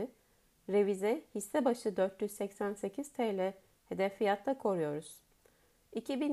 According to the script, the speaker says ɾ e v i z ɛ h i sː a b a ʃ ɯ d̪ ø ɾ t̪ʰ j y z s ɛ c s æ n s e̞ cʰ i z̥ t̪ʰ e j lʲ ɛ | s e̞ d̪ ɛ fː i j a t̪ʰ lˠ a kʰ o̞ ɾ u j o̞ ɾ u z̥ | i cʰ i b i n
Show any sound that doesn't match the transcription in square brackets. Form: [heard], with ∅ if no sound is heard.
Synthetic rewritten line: ɾ e v i z ɛ h i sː [ɛ] b a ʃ ɯ d̪ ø ɾ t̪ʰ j y z s ɛ c s æ n s e̞ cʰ i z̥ t̪ʰ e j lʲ ɛ | [h] e̞ d̪ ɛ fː i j a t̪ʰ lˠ a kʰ o̞ ɾ u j o̞ ɾ u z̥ | i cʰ i b i n